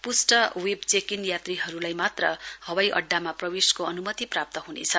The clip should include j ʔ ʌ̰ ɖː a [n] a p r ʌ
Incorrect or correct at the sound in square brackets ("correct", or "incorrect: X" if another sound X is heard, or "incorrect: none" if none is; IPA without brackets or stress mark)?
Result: incorrect: m